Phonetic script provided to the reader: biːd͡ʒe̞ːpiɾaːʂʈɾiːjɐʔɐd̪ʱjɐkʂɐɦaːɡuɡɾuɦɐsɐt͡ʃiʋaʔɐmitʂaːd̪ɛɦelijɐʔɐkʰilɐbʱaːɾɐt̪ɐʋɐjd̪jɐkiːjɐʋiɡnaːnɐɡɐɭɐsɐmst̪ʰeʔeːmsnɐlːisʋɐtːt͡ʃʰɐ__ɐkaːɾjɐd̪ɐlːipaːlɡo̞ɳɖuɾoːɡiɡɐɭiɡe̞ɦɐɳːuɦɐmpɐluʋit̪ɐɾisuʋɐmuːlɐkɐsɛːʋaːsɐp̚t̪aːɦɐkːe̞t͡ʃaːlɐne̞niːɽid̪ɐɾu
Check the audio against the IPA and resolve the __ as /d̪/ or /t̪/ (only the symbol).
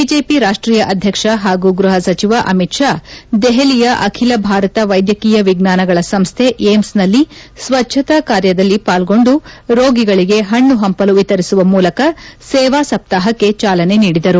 t̪